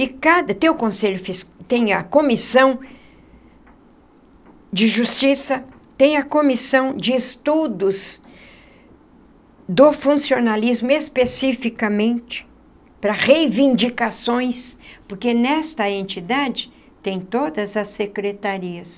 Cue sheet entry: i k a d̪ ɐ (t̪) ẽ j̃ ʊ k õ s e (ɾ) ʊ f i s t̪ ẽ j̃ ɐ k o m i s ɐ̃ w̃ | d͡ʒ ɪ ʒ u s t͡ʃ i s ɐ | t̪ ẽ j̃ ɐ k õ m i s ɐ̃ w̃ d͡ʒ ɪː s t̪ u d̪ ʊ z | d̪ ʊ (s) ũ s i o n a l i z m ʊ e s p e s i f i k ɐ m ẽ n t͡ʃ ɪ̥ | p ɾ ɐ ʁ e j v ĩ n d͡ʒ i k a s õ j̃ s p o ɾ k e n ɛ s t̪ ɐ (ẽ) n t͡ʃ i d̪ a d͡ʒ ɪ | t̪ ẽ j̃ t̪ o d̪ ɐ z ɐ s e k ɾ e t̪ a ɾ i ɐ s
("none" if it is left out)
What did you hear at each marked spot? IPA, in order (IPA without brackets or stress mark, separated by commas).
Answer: t̪, ʎ, f, ẽ